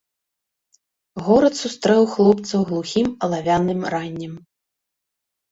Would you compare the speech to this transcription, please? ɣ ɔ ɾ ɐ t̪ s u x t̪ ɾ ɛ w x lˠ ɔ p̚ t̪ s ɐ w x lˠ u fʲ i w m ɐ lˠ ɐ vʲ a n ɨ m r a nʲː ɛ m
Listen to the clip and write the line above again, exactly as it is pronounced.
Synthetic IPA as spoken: ɣ ɔ ɾ ɐ t̪ s u s t̪ ɾ ɛ w x lˠ ɔ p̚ t̪ s ɐ w ɣ lˠ u xʲ i m ɐ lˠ a vʲ a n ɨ m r a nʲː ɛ m